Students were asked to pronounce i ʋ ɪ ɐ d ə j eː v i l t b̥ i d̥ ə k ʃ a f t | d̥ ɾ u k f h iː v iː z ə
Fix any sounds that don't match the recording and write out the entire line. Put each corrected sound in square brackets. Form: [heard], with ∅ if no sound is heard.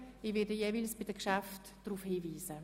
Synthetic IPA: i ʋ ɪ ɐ d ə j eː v i l [s] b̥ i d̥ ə k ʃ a f t | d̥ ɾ u [∅] f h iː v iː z ə